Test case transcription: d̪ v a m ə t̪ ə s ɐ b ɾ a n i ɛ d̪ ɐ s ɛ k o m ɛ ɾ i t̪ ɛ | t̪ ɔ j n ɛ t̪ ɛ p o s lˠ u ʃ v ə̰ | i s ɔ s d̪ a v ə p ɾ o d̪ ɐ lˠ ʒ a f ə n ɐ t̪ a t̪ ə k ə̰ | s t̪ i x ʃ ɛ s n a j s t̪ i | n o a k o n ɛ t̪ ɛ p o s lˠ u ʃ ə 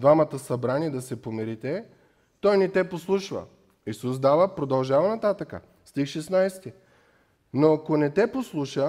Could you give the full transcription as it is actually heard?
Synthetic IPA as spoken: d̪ v a m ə t̪ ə s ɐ b ɾ a n i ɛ d̪ ɐ s ɛ p o m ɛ ɾ i t̪ ɛ | t̪ ɔ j n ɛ t̪ ɛ p o s lˠ u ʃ v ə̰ | i s u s d̪ a v ə p ɾ o d̪ ɐ lˠ ʒ a v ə n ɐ t̪ a t̪ ə k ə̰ | s t̪ i x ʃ ɛ s n a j s t̪ i | n o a k o n ɛ t̪ ɛ p o s lˠ u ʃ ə